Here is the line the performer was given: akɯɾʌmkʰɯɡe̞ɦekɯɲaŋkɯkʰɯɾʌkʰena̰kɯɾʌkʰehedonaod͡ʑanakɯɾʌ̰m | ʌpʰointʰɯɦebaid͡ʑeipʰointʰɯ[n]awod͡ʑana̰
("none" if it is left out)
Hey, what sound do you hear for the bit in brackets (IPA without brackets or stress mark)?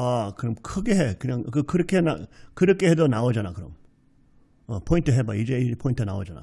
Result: n